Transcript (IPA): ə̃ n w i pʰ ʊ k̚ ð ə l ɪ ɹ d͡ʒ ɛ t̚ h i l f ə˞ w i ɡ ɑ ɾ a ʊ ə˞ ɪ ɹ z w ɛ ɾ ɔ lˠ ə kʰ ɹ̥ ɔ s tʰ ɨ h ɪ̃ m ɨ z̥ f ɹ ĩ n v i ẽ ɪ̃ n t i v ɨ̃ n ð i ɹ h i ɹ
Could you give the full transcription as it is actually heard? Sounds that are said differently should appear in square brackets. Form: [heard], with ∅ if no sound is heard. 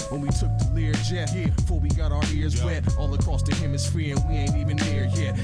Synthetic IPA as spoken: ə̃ n w i [tʰ] ʊ k̚ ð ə l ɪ ɹ d͡ʒ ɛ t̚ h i [ɹ] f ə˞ w i ɡ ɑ ɾ a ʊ ə˞ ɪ ɹ z w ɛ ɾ ɔ lˠ ə kʰ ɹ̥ ɔ s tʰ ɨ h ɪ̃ m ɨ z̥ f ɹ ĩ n [w] i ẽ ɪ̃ n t i v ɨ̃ n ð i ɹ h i ɹ